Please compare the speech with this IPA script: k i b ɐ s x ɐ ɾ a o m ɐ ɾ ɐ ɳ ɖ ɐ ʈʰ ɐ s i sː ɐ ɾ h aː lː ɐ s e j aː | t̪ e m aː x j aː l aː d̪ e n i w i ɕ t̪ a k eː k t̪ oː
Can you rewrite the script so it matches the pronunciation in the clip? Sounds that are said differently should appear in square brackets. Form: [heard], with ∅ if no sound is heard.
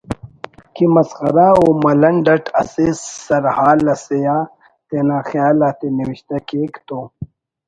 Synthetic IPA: k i [m] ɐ s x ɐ ɾ a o m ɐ [l] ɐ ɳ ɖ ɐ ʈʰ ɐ s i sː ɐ ɾ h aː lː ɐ s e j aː | t̪ e [n] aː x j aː l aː [t̪] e n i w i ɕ t̪ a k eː k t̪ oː